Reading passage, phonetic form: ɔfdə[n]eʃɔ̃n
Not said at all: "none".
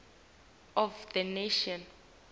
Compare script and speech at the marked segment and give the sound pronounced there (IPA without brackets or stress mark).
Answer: n